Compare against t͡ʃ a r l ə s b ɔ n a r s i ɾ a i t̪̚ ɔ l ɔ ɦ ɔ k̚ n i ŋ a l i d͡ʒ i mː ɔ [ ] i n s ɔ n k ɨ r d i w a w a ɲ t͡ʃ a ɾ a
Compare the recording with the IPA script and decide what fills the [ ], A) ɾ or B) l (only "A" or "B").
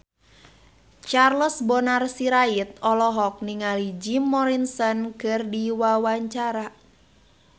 A